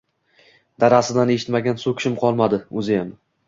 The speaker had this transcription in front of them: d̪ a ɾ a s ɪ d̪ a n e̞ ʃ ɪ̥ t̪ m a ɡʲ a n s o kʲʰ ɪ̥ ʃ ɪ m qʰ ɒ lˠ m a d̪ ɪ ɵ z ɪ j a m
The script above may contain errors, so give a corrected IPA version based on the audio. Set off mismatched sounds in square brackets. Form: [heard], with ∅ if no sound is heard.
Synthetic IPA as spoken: d̪ a ɾ a s ɪ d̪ a n e̞ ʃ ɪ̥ t̪ m a ɡʲ a n s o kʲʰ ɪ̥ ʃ ɪ m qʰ ɒ lˠ m a d̪ ɪ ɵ z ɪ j a m